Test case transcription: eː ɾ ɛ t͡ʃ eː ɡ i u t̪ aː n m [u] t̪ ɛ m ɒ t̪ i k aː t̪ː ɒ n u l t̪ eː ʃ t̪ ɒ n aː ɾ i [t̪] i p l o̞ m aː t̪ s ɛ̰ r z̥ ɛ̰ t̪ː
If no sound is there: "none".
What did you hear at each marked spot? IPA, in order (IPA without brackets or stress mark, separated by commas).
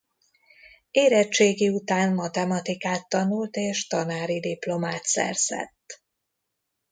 ɒ, d̪